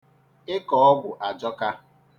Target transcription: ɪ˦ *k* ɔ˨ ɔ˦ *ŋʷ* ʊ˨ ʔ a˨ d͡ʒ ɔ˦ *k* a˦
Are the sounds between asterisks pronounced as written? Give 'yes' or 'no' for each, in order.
yes, no, yes

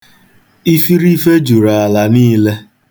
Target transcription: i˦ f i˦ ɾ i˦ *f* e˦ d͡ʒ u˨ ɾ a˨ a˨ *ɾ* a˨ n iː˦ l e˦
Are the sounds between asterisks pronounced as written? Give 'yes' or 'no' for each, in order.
yes, no

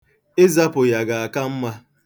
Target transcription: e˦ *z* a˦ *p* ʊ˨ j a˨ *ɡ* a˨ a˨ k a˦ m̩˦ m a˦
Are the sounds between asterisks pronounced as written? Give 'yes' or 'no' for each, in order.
yes, yes, yes

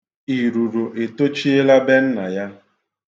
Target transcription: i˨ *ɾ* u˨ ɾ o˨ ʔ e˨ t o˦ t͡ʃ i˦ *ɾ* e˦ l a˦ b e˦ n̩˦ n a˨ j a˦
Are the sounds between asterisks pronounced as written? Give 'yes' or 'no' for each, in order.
yes, no

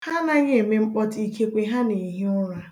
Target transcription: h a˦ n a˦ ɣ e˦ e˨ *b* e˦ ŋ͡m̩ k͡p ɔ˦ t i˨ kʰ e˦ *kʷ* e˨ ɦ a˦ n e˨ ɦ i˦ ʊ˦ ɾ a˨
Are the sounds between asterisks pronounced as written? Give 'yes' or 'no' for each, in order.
no, yes

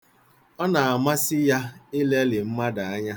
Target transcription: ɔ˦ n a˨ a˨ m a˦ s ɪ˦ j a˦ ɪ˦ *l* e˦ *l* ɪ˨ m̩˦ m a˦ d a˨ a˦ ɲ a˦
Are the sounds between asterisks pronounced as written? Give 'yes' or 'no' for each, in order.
yes, yes

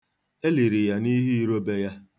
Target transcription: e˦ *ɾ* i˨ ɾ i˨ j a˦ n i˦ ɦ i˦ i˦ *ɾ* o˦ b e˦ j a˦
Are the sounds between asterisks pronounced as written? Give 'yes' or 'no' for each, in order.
no, yes

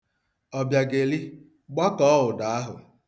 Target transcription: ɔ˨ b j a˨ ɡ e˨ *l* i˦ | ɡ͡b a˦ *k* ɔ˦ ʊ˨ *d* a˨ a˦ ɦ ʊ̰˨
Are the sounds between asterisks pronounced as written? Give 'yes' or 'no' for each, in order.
yes, yes, yes

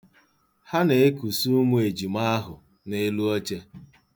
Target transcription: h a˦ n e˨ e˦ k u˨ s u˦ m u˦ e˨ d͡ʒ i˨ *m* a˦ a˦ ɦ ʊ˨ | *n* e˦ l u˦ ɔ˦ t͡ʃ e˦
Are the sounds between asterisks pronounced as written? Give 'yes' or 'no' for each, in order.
yes, yes

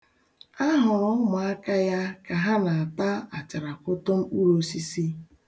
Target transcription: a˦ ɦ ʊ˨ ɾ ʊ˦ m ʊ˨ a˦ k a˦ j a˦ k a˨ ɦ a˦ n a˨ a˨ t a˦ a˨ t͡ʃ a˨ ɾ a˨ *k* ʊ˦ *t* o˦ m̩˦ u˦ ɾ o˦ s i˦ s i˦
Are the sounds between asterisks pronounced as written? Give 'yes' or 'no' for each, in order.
yes, yes

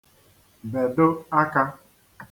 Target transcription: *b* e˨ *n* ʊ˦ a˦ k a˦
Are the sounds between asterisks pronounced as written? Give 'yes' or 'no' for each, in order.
yes, no

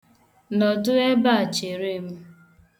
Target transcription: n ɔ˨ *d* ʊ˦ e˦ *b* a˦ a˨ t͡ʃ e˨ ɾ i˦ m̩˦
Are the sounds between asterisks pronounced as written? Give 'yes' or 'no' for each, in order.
yes, yes

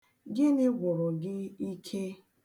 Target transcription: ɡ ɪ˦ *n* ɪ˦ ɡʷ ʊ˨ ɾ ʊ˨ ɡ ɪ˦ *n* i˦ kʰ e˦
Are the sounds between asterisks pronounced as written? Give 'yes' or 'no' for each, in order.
yes, no

